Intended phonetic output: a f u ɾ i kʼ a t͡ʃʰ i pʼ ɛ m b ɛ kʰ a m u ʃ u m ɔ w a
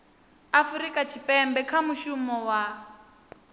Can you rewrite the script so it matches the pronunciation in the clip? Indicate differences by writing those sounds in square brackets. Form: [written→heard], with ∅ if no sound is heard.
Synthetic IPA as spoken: a f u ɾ i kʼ a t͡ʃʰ i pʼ ɛ m b ɛ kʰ a m u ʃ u m ɔ w a